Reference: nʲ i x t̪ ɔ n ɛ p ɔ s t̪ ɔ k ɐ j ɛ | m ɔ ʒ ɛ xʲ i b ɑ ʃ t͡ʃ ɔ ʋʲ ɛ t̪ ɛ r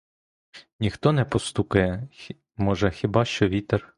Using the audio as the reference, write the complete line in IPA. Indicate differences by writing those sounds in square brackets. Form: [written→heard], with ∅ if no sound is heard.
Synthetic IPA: nʲ i x t̪ ɔ n ɛ p ɔ s t̪ [ɔ→u] k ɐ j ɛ | m ɔ ʒ ɛ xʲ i b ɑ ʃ t͡ʃ ɔ ʋʲ [ɛ→i] t̪ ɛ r